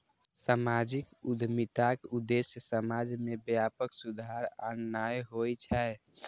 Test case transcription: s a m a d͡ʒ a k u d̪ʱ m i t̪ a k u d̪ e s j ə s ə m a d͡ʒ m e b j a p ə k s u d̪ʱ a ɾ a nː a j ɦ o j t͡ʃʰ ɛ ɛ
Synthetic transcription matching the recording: s a m a d͡ʒ i k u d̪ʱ m i t̪ a k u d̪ e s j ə s ə m a d͡ʒ m e b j a p ə k s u d̪ʱ a ɾ a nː a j ɦ o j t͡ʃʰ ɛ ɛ